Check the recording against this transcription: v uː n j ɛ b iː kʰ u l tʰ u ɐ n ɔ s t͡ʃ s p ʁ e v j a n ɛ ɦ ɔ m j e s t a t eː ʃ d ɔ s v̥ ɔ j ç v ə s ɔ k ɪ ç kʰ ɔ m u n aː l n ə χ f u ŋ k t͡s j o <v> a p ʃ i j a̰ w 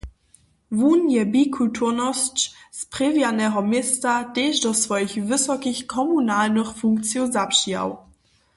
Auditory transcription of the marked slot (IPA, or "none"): z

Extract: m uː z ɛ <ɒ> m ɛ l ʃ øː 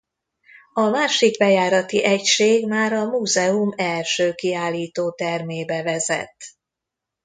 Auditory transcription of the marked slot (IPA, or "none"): u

